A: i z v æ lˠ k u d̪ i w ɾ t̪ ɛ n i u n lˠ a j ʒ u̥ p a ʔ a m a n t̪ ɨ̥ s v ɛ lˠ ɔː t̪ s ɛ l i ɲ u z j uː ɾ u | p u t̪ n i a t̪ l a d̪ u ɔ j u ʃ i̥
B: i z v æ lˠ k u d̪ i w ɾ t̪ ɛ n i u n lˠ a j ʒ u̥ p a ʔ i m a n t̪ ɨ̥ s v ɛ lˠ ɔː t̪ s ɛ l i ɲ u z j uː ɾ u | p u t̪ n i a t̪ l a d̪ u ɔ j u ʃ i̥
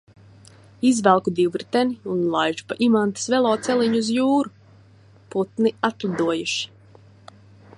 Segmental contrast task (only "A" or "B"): B